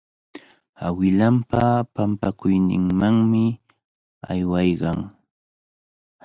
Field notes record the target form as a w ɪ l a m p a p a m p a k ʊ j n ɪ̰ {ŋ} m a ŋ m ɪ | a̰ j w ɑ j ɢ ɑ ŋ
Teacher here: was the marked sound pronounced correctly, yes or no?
yes